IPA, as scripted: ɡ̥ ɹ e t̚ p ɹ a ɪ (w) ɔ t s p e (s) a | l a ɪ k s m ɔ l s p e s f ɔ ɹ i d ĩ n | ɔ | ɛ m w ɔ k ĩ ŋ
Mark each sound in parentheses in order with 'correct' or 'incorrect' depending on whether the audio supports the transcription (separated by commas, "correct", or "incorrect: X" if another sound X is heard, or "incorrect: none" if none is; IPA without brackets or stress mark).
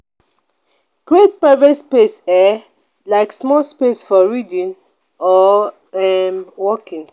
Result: incorrect: v, correct